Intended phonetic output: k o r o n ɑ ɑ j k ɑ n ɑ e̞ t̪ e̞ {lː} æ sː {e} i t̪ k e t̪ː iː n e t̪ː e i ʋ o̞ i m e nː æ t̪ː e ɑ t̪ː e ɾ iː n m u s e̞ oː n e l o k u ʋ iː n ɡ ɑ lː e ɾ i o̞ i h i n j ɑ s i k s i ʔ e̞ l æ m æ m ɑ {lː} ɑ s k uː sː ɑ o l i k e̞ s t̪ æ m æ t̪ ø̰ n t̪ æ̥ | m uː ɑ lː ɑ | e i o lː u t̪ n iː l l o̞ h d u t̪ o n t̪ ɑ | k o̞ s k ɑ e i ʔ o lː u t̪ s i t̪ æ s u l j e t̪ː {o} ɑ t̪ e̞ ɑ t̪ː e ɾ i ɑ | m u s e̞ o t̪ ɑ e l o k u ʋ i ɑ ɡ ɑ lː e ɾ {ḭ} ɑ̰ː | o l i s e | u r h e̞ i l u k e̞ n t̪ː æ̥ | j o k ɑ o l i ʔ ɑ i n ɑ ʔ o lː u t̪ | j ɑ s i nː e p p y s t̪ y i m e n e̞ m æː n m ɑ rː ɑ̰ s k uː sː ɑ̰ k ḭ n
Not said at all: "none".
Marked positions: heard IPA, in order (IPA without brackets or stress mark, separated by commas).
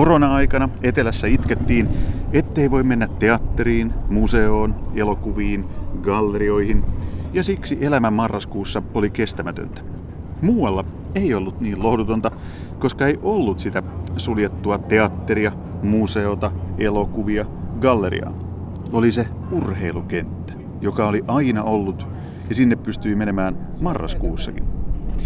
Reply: l, æ, rː, u, ḭ